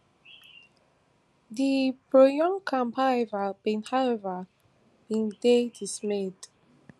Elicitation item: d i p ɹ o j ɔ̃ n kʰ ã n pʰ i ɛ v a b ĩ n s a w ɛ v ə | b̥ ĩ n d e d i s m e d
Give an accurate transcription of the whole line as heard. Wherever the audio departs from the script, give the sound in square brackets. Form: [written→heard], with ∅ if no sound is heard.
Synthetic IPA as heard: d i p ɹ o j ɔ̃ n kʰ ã [n→m] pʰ [i→a] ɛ v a b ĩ n [s→h] a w ɛ v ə | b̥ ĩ n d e d i s m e d